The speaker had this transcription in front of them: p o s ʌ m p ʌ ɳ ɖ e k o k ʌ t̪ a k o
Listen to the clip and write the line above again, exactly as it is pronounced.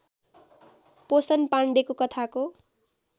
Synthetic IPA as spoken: p o s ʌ n p a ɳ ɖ e k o k ʌ t̪ʰ a k o